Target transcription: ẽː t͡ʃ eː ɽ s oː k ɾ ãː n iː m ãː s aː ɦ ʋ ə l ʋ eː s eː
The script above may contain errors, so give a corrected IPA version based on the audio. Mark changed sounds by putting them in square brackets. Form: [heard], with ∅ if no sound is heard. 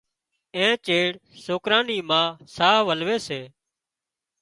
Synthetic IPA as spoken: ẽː t͡ʃ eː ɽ s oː k ɾ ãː n iː m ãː s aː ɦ ʋ ə l ʋ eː s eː